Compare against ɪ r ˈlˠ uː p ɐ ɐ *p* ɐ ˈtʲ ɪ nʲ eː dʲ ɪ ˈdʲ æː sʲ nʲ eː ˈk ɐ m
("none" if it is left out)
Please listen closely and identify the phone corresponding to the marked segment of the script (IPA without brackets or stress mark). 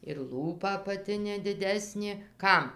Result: p